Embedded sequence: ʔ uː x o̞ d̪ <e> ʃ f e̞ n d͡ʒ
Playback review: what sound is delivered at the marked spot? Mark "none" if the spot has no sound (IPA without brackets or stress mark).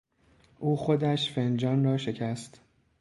æ